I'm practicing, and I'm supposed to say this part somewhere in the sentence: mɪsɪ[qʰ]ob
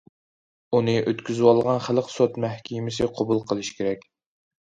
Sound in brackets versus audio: correct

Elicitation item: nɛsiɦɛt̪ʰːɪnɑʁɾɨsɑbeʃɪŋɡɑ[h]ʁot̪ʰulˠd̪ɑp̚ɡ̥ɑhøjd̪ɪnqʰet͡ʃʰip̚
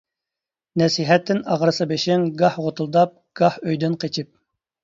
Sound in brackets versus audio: correct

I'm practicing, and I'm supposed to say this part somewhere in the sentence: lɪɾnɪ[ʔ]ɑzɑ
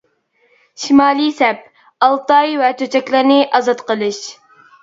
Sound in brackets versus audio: correct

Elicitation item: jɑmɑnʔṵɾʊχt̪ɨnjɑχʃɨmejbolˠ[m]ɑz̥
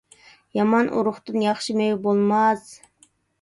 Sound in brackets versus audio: correct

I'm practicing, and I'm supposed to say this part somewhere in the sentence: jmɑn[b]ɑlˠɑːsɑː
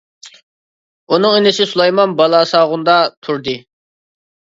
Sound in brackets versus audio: correct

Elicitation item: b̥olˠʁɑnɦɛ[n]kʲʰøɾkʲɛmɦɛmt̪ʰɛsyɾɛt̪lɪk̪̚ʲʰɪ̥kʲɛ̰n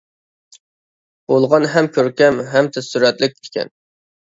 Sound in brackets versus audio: incorrect: m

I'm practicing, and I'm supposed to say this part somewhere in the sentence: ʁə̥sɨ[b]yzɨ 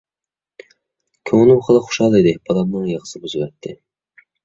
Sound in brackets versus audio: correct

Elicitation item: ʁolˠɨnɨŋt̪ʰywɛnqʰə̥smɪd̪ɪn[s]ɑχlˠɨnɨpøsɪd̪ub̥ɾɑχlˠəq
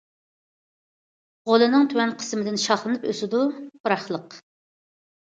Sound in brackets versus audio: incorrect: ʃ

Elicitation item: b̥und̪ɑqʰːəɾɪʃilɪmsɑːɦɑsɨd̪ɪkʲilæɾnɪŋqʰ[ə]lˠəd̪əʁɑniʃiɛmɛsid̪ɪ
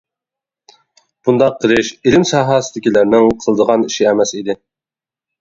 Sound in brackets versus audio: correct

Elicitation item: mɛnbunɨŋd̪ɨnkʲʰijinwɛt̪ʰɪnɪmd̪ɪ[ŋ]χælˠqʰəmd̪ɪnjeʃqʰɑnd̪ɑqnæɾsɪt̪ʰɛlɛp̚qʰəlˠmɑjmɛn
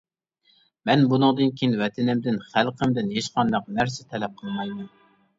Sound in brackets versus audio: incorrect: n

